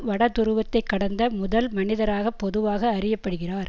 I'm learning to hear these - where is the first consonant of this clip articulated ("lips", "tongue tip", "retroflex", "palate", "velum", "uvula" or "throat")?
lips